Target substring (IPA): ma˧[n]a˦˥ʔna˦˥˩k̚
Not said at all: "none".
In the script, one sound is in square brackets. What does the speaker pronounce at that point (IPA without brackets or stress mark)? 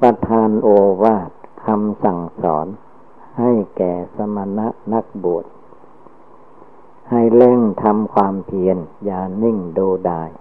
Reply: n